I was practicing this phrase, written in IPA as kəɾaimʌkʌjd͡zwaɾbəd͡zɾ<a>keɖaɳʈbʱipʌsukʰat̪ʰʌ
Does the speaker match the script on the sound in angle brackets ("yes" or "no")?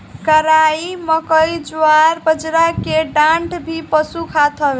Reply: yes